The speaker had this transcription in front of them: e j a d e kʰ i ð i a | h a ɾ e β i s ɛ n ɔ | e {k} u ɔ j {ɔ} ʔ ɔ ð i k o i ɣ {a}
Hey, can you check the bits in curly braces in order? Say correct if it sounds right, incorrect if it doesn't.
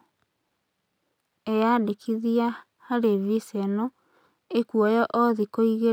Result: correct, correct, incorrect: e

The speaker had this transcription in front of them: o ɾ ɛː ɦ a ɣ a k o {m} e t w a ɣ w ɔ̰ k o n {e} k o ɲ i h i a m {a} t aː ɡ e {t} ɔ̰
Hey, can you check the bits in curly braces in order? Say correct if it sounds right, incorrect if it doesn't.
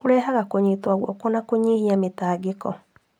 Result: incorrect: ɲ, incorrect: a, incorrect: e, incorrect: k

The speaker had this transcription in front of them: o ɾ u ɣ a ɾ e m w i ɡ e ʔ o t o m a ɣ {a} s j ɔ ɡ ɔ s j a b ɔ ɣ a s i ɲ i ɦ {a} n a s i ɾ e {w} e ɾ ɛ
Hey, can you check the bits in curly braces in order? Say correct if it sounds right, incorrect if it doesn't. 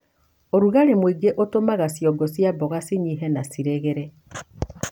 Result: correct, incorrect: ɛ, incorrect: ɣ

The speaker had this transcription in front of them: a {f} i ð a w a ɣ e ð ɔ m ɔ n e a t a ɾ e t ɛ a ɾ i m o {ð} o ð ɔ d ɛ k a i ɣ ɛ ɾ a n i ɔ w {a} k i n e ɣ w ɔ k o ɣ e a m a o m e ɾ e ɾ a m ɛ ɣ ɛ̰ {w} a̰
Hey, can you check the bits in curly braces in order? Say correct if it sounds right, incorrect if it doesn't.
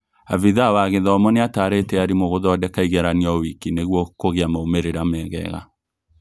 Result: incorrect: v, incorrect: ɣ, incorrect: i, incorrect: ɣ

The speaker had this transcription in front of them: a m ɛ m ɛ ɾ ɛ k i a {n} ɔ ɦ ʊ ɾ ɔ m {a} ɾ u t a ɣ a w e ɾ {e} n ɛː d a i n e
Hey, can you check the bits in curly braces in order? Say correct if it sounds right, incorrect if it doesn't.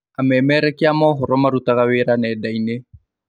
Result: incorrect: m, correct, incorrect: a

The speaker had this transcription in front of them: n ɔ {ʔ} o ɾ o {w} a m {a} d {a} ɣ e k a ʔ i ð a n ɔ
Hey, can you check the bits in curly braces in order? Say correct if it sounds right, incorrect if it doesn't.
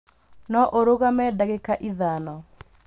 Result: correct, incorrect: ɣ, incorrect: ɛ, correct

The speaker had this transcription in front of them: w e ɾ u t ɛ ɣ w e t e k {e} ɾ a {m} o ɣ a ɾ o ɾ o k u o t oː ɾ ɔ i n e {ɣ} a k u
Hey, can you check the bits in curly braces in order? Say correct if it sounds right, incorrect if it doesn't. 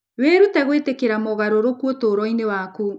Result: correct, correct, incorrect: w

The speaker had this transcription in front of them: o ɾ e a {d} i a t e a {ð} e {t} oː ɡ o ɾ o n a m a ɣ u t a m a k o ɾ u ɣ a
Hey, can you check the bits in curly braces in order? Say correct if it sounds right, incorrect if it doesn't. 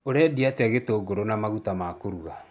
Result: correct, incorrect: ɣ, correct

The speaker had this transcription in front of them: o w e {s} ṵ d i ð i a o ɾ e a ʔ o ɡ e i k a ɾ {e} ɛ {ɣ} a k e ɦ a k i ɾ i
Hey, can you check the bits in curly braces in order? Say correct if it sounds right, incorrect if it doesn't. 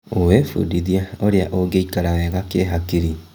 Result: incorrect: f, incorrect: a, correct

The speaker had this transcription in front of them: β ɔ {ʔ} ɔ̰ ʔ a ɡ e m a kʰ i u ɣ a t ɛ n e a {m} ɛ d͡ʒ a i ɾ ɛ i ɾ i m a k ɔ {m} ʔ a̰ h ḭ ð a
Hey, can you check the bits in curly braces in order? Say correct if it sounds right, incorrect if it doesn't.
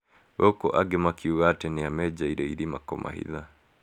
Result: incorrect: k, correct, correct

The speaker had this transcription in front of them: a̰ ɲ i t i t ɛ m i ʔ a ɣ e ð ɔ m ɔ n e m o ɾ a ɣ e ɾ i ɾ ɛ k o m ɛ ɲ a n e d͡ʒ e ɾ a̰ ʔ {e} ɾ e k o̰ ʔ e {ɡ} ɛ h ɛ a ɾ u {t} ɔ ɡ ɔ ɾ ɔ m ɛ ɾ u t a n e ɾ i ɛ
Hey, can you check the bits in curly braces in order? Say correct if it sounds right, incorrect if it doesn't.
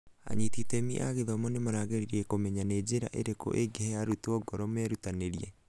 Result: correct, correct, correct

